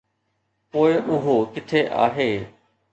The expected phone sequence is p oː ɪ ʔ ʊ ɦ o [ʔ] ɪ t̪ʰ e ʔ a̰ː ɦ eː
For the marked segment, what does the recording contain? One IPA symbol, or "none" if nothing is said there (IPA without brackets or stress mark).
k